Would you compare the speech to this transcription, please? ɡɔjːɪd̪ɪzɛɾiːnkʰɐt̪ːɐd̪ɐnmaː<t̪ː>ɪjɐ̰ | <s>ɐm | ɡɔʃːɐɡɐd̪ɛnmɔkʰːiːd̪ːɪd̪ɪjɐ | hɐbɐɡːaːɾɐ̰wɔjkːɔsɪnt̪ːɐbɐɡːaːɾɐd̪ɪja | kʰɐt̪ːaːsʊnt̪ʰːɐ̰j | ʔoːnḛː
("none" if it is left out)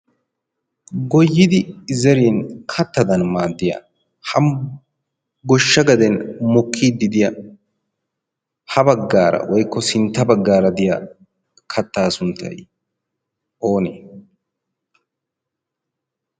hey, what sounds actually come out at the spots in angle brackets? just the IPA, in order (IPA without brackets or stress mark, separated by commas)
d̪ː, h